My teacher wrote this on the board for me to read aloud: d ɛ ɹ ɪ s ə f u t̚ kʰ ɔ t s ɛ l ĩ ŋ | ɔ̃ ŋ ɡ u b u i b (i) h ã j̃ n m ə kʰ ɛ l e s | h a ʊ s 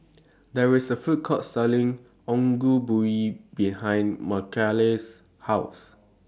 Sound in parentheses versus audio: correct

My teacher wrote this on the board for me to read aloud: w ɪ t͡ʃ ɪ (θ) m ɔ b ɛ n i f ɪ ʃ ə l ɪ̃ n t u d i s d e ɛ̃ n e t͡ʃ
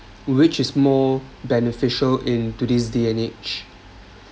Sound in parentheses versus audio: incorrect: s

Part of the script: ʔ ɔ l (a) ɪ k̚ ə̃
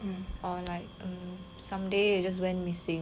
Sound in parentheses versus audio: correct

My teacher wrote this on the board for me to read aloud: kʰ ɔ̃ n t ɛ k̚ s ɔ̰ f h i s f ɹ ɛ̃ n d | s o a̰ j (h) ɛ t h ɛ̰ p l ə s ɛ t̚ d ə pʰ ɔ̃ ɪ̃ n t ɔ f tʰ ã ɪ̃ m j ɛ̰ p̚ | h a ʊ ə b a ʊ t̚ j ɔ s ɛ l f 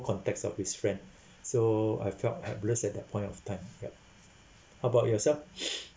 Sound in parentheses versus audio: incorrect: f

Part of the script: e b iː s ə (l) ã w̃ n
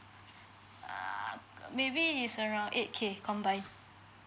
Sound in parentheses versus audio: incorrect: ɹ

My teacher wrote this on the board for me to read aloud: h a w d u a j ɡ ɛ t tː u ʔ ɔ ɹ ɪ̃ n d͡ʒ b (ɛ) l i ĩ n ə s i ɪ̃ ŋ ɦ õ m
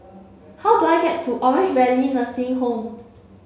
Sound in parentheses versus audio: correct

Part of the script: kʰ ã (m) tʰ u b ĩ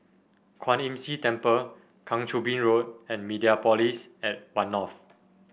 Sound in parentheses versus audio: incorrect: ŋ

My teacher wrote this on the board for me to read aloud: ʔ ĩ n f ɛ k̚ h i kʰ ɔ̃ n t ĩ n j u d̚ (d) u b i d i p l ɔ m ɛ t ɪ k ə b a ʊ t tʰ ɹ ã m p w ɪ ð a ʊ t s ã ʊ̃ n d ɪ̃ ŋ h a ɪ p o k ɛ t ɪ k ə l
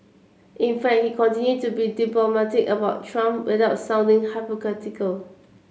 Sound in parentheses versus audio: incorrect: t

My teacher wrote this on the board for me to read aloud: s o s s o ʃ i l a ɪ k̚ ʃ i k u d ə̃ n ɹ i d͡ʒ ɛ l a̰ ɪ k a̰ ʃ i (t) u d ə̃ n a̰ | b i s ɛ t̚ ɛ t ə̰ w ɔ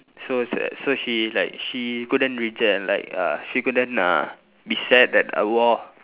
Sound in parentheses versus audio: incorrect: k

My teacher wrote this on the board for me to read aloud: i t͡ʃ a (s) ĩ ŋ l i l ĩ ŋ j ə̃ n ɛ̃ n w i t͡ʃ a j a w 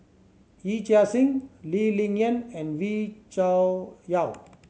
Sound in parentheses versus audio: correct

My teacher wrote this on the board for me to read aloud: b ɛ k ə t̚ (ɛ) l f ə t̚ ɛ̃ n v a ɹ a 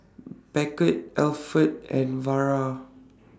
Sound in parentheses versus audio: correct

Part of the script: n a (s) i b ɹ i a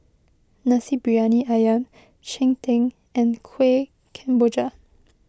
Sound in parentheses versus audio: correct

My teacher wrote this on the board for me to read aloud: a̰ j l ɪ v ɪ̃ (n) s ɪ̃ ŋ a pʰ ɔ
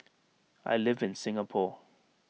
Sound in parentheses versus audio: correct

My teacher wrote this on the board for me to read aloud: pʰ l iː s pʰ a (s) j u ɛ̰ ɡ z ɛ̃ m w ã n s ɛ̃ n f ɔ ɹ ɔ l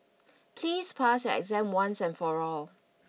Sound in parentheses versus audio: correct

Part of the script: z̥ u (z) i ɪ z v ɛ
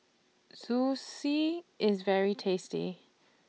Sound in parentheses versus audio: incorrect: s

